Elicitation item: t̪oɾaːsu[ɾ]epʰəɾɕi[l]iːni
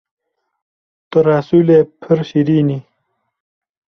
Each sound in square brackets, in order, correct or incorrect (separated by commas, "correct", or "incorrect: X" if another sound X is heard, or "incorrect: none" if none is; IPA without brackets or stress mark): incorrect: l, incorrect: ɾ